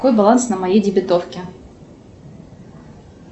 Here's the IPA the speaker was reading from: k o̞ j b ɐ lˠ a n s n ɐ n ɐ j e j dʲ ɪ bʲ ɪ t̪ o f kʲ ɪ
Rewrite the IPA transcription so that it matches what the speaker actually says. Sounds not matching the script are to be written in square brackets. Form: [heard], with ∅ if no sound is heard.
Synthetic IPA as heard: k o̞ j b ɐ lˠ a n s n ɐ [m] ɐ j e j dʲ ɪ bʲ ɪ t̪ o f kʲ ɪ